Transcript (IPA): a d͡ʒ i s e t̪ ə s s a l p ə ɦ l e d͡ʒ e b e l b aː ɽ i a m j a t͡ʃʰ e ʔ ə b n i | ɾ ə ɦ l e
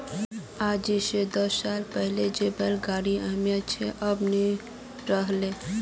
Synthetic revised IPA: a d͡ʒ i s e d̪ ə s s a l p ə ɦ l e d͡ʒ e b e l ɡ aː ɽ i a m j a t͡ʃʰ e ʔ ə b n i | ɾ ə ɦ l e